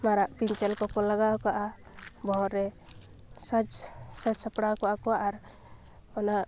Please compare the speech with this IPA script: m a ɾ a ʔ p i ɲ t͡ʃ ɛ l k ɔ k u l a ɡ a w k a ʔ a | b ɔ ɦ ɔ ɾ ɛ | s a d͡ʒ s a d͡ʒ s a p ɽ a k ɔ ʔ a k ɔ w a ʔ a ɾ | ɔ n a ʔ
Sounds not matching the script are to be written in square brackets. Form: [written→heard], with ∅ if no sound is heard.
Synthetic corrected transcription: m a ɾ a ʔ p i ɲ t͡ʃ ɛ l k ɔ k [u→ɔ] l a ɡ a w k a ʔ a | b ɔ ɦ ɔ ɾ ɛ | s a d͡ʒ s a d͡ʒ s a p ɽ a k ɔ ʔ a k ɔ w a ʔ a ɾ | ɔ n a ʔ